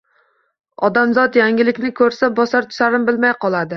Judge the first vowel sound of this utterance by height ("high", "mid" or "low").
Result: low